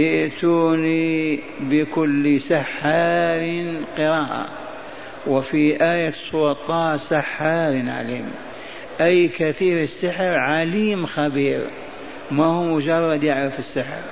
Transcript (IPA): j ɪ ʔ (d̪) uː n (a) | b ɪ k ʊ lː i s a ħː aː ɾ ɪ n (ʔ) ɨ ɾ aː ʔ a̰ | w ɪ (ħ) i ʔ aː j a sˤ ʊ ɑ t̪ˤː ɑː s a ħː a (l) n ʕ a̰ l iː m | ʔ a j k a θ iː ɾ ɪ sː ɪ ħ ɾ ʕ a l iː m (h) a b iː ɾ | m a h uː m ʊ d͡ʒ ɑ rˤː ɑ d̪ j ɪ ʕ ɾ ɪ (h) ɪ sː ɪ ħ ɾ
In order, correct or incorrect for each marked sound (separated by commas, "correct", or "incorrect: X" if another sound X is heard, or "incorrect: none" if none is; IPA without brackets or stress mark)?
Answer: incorrect: t̪, incorrect: i, incorrect: q, incorrect: f, incorrect: ɾ, incorrect: x, incorrect: f